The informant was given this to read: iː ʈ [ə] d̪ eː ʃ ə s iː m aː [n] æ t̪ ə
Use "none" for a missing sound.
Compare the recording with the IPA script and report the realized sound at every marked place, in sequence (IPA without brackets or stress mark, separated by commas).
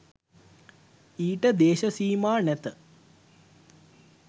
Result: ə, n